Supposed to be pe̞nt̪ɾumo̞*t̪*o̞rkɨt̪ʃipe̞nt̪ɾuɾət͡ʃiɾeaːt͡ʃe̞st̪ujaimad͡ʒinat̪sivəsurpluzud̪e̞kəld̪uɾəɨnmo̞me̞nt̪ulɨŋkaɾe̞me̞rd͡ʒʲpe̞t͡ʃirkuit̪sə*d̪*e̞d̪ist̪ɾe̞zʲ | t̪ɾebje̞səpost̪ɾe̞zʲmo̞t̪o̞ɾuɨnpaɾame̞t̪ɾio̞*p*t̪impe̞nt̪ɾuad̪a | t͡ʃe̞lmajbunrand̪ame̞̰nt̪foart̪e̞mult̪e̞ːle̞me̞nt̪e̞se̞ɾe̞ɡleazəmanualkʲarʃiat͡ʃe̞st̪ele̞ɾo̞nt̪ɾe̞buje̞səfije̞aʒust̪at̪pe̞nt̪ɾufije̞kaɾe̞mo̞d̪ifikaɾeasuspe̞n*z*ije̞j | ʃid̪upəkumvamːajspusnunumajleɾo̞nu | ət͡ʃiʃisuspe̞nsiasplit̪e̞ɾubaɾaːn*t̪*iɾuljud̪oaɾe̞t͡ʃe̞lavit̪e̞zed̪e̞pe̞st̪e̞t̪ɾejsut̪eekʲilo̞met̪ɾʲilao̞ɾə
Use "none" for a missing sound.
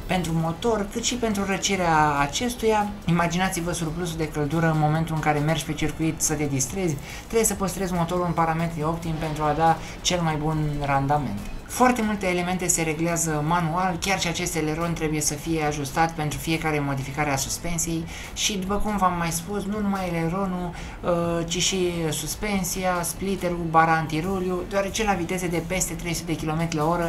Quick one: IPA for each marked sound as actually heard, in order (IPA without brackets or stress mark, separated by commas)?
t̪, t̪, p, s, t̪